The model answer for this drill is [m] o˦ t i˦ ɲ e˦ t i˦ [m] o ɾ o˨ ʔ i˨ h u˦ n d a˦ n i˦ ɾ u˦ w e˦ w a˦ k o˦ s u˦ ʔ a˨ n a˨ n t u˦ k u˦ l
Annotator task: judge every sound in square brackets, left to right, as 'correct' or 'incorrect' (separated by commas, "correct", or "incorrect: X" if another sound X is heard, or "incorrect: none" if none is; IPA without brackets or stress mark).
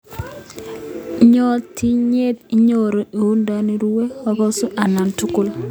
incorrect: ɲ, incorrect: ɲ